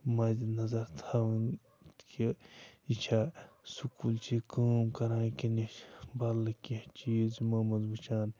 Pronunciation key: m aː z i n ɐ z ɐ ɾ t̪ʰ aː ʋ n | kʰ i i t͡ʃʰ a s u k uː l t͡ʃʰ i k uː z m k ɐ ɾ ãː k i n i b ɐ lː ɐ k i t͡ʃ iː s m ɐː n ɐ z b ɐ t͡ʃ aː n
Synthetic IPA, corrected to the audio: m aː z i n ɐ z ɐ ɾ t̪ʰ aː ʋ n | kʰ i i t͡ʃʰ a s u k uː l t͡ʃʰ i k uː m k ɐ ɾ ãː k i n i b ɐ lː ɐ k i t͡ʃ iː z m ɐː m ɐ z b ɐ t͡ʃ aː n